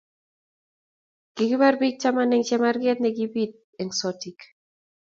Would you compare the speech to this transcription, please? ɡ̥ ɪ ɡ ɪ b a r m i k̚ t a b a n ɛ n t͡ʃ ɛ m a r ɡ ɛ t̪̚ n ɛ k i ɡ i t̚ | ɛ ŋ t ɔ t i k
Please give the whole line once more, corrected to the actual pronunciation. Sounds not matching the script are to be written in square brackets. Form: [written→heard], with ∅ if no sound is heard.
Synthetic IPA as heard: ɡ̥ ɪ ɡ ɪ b a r [m→b] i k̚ [t→t͡ʃ] a [b→m] a n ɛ [n→ŋ] t͡ʃ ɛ m a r ɡ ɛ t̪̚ n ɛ [k→ɡ] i [ɡ→b] i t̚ | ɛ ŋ [t→s] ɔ t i k